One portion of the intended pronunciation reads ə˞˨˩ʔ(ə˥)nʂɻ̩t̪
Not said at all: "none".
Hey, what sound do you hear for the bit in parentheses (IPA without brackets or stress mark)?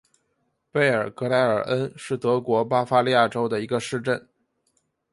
ə˥